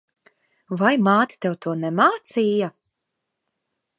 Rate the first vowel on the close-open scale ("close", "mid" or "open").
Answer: open